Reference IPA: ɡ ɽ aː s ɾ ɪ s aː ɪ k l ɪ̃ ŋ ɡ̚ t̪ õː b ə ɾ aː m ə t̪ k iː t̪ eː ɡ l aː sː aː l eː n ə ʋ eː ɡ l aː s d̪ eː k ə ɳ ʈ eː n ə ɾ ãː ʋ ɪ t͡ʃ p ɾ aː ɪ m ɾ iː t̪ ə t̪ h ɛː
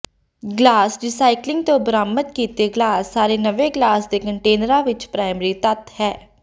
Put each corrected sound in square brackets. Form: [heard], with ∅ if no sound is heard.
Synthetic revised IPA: ɡ [l] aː s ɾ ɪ s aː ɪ k l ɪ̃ ŋ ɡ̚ t̪ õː b ə ɾ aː m ə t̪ k iː t̪ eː ɡ l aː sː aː [ɾ] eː n ə ʋ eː ɡ l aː s d̪ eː k ə ɳ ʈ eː n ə ɾ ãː ʋ ɪ t͡ʃ p ɾ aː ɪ m ɾ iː t̪ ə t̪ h ɛː